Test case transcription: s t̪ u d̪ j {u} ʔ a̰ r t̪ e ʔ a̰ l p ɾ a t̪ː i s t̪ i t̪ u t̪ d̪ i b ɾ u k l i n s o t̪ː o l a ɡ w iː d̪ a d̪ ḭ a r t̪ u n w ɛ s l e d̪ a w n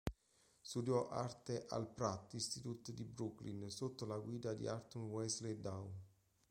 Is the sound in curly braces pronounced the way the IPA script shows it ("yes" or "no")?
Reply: no